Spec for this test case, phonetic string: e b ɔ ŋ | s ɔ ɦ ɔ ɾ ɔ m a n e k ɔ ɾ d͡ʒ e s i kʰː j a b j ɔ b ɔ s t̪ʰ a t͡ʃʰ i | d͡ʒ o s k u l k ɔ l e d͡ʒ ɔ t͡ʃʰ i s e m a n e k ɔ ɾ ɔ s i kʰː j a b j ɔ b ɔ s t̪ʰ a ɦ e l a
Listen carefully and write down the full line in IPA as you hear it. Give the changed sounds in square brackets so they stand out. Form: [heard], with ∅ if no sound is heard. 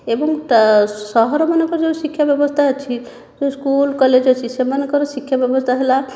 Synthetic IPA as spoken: e b ɔ ŋ | s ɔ ɦ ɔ ɾ ɔ m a n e k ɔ ɾ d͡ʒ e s i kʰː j a b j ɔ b ɔ s t̪ʰ a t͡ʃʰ i | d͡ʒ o s k u l k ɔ l e d͡ʒ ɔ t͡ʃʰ i s e m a n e k ɔ ɾ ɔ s i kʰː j a b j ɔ b ɔ s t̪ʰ a ɦ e l a